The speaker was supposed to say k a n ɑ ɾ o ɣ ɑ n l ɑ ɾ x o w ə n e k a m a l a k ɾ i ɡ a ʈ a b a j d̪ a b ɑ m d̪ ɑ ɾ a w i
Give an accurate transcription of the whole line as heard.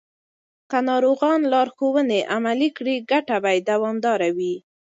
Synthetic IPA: k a n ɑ ɾ o ɣ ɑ n l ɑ ɾ x o w ə n e ʔ a m a l i k ɽ i ɡ a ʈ a b a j d̪ a w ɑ m d̪ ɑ ɾ a w i